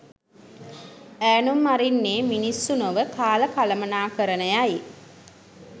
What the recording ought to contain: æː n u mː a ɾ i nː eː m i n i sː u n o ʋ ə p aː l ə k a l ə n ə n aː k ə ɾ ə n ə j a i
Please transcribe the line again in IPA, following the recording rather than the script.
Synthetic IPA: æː n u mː a ɾ i nː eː m i n i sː u n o ʋ ə k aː l ə k a l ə m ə n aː k ə ɾ ə n ə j a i